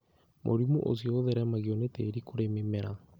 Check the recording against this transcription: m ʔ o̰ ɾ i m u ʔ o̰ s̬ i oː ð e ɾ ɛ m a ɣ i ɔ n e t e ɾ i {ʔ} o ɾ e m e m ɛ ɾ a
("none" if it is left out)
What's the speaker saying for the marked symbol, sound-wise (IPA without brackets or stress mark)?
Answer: k